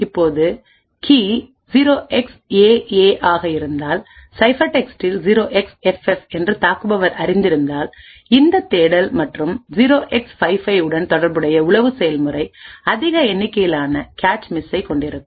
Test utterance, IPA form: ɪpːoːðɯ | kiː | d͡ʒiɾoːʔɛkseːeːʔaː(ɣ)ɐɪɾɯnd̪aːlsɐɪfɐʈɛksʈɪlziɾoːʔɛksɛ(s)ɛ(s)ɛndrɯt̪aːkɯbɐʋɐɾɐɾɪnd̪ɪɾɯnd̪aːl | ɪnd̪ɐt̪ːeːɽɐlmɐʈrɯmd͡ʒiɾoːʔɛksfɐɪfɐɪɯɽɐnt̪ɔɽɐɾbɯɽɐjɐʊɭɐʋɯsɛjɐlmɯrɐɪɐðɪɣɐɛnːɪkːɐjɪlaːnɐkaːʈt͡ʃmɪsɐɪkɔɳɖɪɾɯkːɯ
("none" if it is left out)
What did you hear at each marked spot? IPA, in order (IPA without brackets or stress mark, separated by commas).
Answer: ɣ, f, f